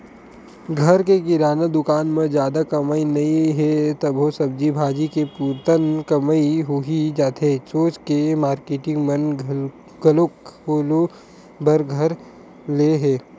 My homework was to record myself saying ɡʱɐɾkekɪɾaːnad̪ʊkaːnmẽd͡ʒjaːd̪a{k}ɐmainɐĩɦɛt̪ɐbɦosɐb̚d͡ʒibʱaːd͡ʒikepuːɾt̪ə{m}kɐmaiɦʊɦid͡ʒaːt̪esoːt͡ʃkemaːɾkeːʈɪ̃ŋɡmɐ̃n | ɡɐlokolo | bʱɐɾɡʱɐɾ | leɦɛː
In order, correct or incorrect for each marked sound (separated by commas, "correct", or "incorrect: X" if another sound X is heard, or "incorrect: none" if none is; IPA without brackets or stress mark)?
correct, incorrect: n